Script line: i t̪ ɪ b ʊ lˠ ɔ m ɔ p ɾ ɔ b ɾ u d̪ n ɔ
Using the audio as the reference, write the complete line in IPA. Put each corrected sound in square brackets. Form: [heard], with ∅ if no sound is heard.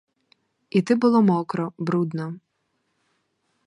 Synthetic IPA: i t̪ ɪ b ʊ lˠ ɔ m ɔ [k] ɾ ɔ b ɾ u d̪ n ɔ